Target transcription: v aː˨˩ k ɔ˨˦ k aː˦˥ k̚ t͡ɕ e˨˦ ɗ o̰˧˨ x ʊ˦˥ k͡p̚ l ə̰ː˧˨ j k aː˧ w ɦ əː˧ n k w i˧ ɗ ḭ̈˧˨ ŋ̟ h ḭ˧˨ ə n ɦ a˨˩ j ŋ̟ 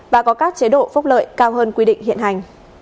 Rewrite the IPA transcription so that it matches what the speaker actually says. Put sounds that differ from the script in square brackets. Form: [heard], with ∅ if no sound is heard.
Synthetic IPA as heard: v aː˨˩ k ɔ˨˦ k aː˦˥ k̚ t͡ɕ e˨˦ ɗ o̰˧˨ [f] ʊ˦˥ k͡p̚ l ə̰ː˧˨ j k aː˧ w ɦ əː˧ n k w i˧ ɗ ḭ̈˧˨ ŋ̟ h ḭ˧˨ ə n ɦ a˨˩ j ŋ̟